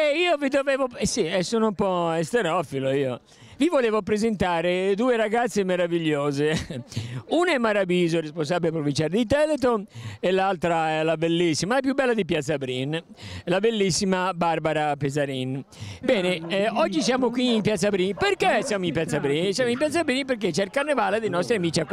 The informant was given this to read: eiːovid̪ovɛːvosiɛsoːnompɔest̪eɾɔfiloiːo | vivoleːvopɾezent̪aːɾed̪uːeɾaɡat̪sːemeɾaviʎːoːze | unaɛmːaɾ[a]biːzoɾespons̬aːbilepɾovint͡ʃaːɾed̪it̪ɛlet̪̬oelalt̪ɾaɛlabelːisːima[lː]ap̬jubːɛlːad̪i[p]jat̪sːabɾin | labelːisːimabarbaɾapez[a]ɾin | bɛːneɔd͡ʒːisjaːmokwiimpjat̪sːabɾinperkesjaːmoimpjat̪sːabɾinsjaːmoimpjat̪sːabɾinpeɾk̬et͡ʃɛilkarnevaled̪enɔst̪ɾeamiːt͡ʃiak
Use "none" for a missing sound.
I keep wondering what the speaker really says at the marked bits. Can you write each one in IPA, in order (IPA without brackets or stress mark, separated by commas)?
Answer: a, l, p, a